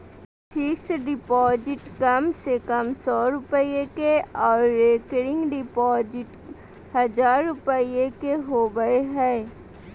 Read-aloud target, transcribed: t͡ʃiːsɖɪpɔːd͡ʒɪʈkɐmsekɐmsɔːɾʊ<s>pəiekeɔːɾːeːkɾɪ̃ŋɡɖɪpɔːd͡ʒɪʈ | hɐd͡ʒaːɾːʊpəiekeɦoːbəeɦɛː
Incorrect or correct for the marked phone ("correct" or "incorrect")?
incorrect